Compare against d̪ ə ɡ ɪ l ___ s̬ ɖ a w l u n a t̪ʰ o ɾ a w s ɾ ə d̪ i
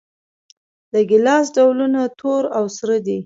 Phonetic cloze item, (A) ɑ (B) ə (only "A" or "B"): A